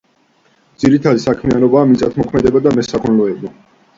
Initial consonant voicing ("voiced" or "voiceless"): voiced